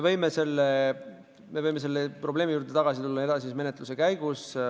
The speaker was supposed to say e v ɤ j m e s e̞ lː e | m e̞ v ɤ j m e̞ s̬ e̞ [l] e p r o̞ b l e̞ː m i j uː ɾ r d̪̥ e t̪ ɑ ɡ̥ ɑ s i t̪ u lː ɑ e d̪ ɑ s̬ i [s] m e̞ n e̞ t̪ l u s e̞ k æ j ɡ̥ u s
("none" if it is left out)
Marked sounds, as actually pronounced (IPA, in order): lː, s

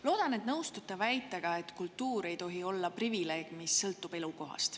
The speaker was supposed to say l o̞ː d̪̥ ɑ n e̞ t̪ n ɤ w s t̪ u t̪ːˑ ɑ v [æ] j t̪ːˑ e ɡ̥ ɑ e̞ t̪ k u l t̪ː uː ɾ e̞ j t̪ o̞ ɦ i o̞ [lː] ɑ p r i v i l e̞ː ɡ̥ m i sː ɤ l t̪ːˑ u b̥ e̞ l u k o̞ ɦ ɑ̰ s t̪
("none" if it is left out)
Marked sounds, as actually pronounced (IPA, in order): æ, lː

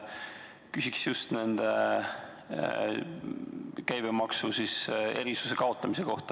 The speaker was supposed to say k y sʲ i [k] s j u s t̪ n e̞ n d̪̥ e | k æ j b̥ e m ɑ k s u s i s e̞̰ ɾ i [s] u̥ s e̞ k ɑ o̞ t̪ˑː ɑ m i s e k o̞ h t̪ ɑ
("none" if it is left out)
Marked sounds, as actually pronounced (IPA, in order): k, s

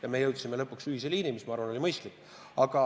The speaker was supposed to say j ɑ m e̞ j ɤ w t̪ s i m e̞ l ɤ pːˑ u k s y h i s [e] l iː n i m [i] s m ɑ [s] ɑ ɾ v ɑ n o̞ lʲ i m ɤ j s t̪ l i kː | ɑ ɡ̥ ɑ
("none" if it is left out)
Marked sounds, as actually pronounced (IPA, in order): e, i, none

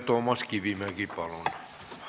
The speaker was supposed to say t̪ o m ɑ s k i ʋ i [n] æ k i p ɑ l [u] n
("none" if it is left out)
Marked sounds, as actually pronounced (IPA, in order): m, o

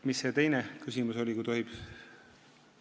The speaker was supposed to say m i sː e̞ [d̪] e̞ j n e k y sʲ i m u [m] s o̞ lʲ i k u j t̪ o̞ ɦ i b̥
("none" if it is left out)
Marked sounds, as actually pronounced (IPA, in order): t̪, none

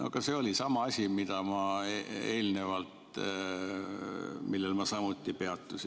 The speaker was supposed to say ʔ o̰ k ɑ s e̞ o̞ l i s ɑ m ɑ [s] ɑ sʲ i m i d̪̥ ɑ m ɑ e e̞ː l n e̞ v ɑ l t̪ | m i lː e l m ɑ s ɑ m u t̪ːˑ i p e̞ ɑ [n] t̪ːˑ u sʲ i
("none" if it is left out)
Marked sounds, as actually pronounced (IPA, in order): none, none

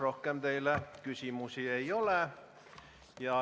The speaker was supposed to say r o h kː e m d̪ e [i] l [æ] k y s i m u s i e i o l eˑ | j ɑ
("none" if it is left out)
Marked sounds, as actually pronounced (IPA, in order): i, æ

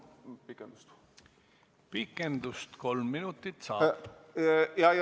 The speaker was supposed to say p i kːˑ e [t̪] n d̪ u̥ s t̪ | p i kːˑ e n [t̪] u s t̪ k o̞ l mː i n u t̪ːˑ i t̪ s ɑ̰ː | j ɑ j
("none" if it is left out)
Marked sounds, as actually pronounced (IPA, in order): none, d̪

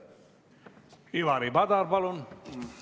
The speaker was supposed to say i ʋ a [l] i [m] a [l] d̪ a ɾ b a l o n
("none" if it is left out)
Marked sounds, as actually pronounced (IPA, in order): ɾ, b, none

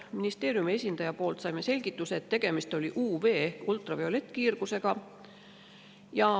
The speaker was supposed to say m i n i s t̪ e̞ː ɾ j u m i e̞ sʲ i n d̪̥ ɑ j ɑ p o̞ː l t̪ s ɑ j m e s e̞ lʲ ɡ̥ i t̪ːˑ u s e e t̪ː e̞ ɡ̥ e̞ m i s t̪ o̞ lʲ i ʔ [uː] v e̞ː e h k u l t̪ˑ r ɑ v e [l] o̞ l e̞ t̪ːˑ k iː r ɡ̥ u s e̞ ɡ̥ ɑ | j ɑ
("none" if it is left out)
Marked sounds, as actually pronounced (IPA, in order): uː, none

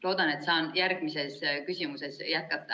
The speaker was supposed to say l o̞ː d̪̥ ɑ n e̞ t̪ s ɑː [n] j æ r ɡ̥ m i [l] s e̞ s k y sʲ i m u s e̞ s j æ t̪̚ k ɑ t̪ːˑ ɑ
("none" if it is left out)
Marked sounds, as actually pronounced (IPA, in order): n, none

